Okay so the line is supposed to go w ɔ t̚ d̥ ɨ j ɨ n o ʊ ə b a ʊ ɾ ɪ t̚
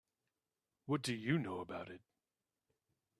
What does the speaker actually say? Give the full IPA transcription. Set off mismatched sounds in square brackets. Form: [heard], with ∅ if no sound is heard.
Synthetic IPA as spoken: w [ʌ] t̚ d̥ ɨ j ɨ n o ʊ ə b a ʊ ɾ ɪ t̚